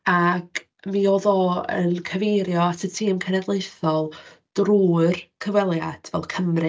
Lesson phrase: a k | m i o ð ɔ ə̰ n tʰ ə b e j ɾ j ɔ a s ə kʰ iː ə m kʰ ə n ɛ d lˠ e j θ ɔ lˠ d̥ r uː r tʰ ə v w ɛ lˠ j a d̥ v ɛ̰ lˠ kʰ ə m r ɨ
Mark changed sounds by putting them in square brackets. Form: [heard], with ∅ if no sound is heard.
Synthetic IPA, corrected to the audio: a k | m i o ð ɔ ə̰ n [kʰ] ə [v] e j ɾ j ɔ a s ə [tʰ] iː ə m kʰ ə n ɛ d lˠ e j θ ɔ lˠ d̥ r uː r [kʰ] ə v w ɛ lˠ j a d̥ v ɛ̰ lˠ kʰ ə m r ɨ